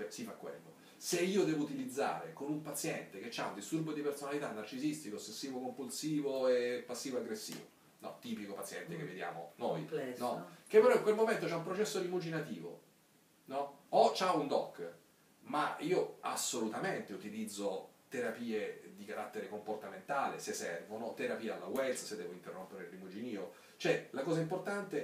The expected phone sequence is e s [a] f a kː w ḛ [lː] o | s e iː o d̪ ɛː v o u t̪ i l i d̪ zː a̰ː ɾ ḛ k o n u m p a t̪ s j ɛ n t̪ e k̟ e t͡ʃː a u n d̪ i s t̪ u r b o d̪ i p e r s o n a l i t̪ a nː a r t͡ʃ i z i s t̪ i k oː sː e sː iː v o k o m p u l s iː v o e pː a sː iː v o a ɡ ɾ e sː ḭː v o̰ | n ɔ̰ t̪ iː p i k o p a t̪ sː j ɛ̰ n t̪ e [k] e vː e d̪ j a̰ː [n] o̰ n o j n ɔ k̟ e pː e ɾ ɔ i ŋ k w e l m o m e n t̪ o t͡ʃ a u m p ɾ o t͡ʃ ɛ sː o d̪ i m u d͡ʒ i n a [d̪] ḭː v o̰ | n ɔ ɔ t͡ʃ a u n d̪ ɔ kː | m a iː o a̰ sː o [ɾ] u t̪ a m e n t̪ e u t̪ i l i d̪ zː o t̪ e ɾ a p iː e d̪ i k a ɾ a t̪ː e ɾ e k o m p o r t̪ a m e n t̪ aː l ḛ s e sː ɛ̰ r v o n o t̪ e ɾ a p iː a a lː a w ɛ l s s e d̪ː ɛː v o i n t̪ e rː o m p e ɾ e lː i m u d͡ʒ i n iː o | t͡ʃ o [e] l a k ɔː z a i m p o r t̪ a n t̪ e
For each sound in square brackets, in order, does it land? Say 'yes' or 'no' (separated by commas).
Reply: no, yes, yes, no, no, no, no